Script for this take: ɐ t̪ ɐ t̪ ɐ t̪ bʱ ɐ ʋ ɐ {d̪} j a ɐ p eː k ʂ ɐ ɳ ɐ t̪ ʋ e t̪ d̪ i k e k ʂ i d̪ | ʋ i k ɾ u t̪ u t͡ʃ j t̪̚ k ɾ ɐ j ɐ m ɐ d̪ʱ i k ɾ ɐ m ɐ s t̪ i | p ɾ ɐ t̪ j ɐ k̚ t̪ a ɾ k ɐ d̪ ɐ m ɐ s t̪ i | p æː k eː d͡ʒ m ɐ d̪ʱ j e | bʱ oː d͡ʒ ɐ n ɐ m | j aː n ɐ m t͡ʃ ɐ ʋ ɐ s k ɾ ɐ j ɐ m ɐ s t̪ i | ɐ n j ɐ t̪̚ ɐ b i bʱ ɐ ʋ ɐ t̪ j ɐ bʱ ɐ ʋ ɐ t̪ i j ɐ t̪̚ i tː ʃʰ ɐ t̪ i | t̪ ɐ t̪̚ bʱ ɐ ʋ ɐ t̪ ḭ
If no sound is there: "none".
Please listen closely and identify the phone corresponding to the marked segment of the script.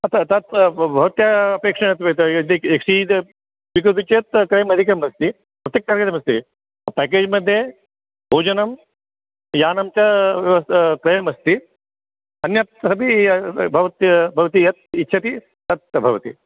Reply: t̪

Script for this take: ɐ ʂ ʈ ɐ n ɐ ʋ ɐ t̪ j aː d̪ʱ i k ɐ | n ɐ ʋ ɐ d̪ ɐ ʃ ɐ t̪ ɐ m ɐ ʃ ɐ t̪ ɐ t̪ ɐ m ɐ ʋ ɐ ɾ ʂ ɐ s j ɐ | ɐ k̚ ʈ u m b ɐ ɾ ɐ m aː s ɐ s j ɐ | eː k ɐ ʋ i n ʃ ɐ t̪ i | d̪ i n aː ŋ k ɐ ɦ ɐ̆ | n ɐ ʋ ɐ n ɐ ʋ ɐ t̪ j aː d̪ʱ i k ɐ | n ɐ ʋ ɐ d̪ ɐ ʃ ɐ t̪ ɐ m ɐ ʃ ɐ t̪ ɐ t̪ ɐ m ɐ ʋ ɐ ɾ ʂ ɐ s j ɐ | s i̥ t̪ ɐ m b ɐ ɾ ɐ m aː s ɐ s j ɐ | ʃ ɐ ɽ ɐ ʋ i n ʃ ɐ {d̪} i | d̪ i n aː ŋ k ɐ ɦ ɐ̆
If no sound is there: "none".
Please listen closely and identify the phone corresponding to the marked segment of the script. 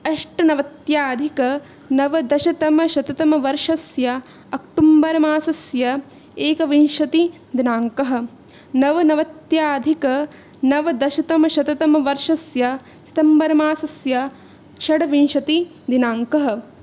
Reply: t̪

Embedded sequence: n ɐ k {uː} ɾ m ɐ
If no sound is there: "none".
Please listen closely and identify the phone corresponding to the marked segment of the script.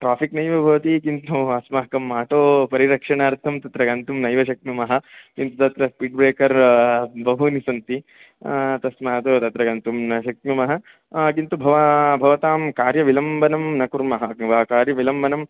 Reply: u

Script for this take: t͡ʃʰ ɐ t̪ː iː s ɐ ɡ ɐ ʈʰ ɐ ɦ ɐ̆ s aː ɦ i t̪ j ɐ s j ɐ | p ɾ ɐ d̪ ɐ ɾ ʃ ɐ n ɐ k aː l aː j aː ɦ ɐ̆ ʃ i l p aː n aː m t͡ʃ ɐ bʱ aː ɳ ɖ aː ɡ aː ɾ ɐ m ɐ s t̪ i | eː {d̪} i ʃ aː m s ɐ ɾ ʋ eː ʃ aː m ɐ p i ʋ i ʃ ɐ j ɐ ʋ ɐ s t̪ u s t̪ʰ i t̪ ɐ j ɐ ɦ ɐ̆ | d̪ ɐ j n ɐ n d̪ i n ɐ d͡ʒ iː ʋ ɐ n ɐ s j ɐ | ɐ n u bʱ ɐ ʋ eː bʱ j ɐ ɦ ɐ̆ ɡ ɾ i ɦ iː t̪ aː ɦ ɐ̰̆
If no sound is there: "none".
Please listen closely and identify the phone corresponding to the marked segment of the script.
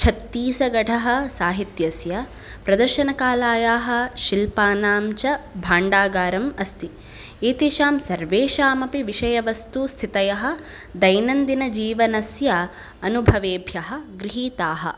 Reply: t̪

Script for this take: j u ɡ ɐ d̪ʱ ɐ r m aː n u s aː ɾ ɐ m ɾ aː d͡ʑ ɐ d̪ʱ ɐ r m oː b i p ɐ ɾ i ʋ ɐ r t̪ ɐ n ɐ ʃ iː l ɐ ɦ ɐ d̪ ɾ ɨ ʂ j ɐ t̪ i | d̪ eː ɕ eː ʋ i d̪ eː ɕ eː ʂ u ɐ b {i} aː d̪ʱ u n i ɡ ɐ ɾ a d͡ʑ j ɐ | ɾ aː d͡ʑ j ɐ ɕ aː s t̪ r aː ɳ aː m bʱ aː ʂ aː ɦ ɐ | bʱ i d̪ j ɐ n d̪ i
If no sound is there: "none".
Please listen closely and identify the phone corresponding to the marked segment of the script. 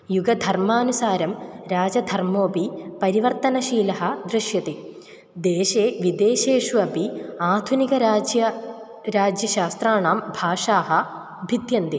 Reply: i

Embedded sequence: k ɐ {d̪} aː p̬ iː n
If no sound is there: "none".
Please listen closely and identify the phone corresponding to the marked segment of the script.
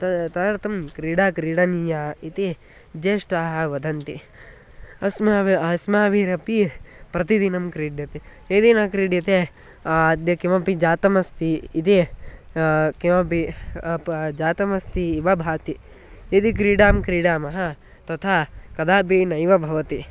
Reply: d̪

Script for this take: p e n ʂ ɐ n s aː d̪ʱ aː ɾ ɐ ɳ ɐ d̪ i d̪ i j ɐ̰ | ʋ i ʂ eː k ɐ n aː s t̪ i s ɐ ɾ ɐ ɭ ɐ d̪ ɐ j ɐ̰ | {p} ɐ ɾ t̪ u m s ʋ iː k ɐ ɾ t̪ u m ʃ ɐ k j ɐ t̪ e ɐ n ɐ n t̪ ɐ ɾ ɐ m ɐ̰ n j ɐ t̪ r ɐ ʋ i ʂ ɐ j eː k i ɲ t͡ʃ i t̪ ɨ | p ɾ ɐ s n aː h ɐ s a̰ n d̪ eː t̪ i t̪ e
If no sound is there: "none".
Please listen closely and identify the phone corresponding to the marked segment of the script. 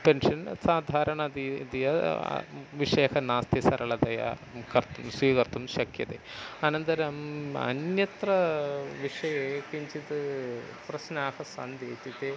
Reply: k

